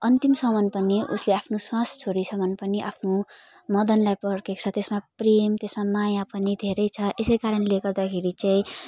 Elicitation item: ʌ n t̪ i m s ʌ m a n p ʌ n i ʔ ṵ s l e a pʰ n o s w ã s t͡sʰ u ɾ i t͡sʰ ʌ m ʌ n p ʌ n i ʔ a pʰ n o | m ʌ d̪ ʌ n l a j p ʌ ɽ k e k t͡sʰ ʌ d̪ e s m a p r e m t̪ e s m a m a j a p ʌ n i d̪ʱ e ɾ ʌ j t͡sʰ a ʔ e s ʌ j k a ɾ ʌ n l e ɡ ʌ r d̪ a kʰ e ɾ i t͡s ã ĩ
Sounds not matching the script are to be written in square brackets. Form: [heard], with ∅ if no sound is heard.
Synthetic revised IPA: ʌ n t̪ i m s ʌ m [ʌ] n p ʌ n i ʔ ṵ s l e a pʰ n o s w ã s t͡sʰ [o] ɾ i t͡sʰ ʌ m ʌ n p ʌ n i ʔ a pʰ n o | m ʌ d̪ ʌ n l a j p ʌ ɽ k e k t͡sʰ ʌ [t̪] e s m a p r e m t̪ e s m a m a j a p ʌ n i d̪ʱ e ɾ ʌ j t͡sʰ [ʌ] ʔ e s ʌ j k a ɾ ʌ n l e ɡ ʌ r d̪ a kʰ e ɾ i t͡s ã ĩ